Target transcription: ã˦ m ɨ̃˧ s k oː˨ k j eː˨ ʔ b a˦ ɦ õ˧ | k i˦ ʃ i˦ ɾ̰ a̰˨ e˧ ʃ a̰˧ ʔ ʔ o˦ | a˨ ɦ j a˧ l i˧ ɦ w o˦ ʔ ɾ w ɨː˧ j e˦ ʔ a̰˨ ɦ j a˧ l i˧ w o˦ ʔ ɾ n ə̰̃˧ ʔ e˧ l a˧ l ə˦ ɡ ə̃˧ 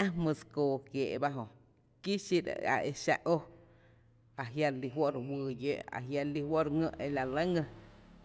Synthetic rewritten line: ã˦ m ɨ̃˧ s k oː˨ k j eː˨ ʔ b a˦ ɦ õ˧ | k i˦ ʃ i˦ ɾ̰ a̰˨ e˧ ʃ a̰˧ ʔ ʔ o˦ | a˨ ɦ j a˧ l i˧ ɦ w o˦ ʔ ɾ w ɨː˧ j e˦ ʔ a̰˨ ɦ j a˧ l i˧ w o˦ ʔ ɾ ŋ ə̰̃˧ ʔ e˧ l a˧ l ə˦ ŋ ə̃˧